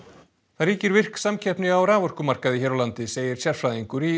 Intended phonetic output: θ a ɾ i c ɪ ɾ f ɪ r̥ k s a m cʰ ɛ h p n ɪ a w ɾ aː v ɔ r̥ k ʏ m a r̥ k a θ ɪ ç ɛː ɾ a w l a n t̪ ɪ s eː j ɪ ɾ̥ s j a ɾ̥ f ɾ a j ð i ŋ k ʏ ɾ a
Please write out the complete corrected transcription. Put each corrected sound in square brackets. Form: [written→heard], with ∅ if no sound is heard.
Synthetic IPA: θ a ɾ [i→iː] c ɪ ɾ [f→v] ɪ r̥ k s a m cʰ ɛ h p n ɪ a w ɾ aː v ɔ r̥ k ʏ m a r̥ k a [θ→ð] ɪ ç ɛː ɾ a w l a n t̪ ɪ s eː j ɪ ɾ̥ s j a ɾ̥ f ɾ a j ð i ŋ k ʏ ɾ [a→i]